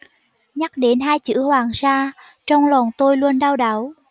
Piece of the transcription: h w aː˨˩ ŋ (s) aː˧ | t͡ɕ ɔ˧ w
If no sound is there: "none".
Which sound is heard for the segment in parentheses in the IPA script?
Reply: s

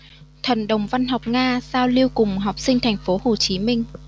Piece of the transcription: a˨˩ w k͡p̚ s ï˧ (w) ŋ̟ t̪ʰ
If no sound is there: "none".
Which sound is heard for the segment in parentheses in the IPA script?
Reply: none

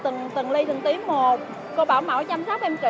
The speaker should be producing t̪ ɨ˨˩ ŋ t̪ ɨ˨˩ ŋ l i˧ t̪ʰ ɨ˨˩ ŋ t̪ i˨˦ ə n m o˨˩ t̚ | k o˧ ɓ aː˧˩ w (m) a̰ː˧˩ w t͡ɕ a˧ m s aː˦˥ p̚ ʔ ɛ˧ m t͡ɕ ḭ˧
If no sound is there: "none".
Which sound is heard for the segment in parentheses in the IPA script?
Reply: m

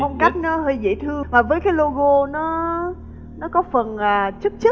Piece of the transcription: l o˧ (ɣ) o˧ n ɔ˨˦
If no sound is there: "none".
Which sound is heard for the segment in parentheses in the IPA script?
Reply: ɣ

